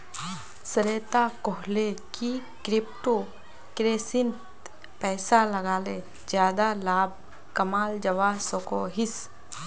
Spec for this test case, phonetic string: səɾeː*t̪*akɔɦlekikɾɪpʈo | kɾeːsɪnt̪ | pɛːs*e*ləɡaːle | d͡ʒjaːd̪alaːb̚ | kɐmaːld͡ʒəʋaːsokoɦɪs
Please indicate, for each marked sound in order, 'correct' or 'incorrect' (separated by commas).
correct, incorrect